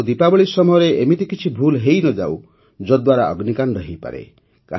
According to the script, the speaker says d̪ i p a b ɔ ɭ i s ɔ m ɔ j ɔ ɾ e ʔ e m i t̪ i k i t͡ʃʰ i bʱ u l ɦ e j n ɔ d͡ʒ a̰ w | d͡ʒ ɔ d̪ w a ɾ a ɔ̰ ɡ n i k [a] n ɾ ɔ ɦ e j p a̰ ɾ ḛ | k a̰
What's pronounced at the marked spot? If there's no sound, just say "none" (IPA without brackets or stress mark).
a